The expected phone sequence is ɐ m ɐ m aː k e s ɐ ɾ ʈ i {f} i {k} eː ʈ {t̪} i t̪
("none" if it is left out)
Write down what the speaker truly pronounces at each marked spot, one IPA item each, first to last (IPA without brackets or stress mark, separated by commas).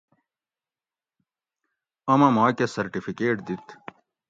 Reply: f, k, d̪